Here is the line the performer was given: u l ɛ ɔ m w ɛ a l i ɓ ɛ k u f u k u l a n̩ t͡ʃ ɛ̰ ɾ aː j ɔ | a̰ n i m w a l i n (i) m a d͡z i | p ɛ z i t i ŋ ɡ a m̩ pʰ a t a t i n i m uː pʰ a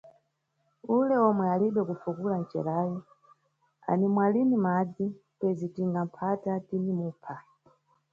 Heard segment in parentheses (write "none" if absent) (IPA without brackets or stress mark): i